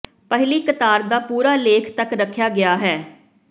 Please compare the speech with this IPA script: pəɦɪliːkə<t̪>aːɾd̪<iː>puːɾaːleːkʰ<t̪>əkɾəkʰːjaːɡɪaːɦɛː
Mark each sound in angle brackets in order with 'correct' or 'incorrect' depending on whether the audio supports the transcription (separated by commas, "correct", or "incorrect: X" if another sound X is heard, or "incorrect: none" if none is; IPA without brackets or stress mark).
correct, incorrect: aː, correct